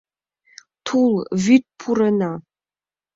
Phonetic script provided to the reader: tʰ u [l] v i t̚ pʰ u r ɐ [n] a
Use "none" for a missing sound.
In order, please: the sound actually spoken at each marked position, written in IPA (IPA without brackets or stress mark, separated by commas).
l, n